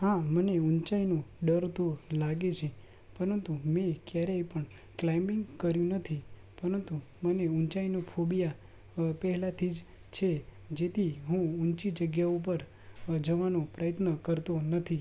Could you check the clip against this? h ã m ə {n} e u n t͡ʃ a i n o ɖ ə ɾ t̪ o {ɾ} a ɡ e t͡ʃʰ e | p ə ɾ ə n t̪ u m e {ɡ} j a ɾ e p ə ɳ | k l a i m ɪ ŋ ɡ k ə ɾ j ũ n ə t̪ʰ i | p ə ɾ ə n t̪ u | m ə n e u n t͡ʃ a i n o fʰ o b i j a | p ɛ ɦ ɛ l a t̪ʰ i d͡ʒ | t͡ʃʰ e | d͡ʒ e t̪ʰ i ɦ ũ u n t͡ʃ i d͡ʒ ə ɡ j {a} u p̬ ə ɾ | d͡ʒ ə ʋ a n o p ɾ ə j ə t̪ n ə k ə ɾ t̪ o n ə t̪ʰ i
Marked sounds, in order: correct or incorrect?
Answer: correct, incorrect, incorrect, correct

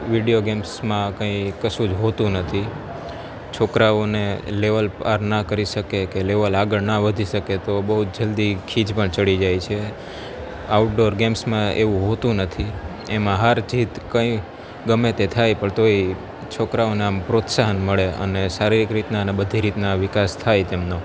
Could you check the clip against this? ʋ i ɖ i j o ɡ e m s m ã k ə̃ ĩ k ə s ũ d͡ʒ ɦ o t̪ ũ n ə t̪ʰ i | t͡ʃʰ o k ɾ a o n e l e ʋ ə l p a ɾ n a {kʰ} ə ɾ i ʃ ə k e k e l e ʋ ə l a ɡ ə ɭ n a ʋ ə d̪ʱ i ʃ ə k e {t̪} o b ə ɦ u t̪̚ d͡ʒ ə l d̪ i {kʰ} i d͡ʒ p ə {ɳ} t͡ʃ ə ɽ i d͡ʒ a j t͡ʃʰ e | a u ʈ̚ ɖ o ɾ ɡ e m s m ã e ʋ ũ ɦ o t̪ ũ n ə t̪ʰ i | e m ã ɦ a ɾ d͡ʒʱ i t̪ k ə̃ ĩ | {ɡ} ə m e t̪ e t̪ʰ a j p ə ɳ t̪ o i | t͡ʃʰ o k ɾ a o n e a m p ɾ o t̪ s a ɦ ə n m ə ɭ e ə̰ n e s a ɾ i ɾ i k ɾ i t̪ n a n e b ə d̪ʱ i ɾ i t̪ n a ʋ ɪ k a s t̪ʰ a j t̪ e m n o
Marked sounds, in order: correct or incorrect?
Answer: incorrect, correct, correct, correct, correct

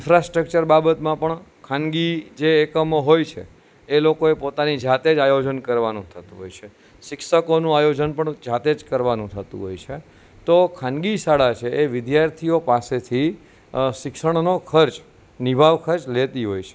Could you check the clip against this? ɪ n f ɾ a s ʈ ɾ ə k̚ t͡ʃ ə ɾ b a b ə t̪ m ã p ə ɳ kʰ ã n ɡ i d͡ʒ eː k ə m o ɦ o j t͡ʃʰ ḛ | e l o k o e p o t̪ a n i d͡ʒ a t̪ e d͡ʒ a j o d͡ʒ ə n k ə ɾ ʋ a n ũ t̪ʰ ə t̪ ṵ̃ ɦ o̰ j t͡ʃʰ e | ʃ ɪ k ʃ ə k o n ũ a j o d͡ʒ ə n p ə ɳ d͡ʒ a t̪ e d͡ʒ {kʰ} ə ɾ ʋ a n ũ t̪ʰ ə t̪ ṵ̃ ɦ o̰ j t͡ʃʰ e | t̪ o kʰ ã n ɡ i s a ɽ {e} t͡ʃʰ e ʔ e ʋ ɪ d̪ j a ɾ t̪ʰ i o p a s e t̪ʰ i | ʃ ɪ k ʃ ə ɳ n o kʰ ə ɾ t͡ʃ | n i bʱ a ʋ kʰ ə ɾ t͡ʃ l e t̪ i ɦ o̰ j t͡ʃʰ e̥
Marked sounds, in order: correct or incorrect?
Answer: incorrect, incorrect

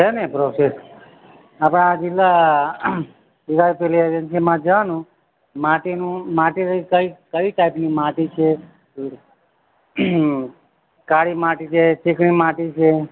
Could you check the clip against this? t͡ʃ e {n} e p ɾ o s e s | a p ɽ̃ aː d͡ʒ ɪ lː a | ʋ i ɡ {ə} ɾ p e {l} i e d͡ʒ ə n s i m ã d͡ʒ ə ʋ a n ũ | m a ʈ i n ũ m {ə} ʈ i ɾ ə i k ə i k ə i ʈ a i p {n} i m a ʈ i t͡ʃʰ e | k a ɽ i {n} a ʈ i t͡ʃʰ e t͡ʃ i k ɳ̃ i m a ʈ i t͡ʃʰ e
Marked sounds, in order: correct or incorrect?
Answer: correct, incorrect, correct, incorrect, correct, incorrect

